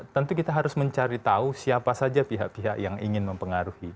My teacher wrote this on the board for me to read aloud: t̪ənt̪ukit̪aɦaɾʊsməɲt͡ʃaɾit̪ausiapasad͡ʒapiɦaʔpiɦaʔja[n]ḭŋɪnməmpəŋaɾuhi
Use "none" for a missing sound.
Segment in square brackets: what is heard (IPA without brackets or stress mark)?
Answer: ŋ